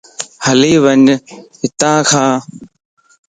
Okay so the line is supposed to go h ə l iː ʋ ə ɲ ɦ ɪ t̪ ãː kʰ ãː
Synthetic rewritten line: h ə l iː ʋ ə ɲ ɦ ɪ t̪ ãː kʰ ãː